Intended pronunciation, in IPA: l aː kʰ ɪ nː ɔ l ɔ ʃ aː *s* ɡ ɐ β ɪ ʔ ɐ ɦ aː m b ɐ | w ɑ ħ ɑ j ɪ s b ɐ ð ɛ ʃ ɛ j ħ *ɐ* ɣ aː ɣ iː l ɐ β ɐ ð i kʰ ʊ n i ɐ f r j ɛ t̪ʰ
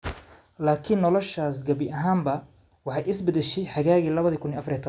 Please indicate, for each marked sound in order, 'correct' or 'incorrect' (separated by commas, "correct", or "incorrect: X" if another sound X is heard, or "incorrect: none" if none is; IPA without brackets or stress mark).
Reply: correct, incorrect: ɑ